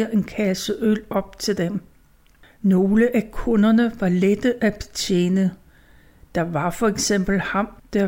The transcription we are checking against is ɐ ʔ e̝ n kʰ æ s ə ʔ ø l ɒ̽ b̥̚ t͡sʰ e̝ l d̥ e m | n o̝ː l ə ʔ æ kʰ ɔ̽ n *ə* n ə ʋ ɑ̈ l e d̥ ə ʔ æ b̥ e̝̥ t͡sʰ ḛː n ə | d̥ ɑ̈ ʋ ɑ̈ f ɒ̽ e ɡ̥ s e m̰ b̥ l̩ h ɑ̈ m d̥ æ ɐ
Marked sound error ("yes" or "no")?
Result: yes